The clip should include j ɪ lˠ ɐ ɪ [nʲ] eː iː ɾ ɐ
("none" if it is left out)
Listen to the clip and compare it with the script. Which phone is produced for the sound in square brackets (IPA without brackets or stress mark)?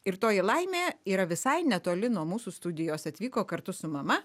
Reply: mʲ